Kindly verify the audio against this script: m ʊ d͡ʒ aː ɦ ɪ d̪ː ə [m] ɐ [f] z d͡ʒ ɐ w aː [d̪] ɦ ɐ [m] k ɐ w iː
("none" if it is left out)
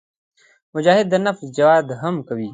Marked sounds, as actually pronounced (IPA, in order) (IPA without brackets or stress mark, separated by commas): n, f, d̪, m